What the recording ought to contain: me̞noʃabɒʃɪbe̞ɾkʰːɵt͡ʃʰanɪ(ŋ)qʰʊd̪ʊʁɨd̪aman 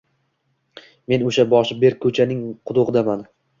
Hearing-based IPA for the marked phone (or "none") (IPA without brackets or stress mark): ŋ